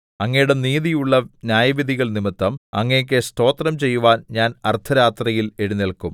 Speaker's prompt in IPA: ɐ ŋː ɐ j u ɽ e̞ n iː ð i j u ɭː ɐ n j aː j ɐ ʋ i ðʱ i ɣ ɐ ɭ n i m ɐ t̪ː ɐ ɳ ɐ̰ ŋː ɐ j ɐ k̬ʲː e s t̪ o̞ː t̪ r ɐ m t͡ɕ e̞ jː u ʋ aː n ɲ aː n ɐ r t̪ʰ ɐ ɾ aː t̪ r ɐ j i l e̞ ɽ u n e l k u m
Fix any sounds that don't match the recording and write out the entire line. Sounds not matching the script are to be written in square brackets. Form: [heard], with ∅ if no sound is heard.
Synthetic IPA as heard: ɐ ŋː ɐ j u ɽ e̞ n iː ð i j u ɭː ɐ n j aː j ɐ ʋ i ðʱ i ɣ ɐ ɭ n i m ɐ t̪ː ɐ [m] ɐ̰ ŋː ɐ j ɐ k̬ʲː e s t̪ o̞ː t̪ r ɐ m t͡ɕ e̞ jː u ʋ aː n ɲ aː n ɐ r t̪ʰ ɐ ɾ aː t̪ r ɐ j i l e̞ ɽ u n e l k u m